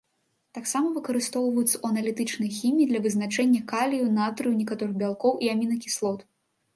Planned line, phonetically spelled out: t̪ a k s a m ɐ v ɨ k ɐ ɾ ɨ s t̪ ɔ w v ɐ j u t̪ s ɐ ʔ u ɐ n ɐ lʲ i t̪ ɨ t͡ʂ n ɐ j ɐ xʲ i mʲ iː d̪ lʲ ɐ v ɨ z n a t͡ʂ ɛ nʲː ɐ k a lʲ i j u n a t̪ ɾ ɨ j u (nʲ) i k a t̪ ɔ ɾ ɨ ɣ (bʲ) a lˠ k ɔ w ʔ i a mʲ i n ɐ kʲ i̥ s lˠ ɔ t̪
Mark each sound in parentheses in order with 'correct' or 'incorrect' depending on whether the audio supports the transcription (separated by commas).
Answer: correct, correct